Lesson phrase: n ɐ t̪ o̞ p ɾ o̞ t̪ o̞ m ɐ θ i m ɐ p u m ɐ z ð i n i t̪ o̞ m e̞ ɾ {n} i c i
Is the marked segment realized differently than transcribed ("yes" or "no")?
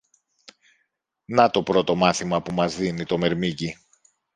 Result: yes